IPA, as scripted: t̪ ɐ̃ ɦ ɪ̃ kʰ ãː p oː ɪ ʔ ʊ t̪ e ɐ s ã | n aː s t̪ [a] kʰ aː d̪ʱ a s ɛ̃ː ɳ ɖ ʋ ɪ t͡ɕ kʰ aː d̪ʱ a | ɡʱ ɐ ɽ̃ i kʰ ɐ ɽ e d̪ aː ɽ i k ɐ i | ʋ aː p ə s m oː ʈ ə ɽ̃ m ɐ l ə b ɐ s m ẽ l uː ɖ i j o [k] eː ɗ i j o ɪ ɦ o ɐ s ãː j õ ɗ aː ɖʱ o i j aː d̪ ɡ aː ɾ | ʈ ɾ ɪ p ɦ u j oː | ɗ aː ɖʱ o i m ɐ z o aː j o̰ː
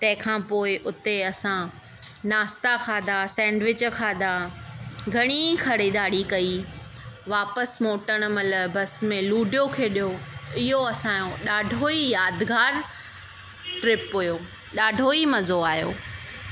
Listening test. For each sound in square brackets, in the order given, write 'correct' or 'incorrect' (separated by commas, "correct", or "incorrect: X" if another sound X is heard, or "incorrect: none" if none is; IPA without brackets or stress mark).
correct, incorrect: kʰ